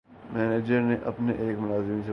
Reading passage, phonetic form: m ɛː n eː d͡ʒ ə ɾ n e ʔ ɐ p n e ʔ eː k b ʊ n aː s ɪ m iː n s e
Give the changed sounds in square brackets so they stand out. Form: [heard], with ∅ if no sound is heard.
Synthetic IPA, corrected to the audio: m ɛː n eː d͡ʒ ə ɾ n e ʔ ɐ p n e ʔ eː k [m] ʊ n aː [z] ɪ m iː n s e